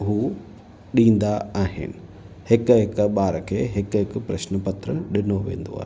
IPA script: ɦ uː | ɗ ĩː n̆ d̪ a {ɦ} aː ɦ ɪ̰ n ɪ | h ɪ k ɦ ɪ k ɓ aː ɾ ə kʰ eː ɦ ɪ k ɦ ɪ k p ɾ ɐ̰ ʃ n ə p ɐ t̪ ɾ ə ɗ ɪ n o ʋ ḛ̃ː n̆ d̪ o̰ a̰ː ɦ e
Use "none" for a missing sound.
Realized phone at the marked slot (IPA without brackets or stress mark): none